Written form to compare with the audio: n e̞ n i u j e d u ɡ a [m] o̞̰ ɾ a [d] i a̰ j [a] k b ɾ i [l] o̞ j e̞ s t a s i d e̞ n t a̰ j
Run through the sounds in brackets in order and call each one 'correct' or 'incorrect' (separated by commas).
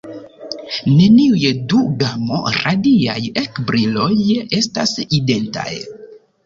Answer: correct, correct, incorrect, correct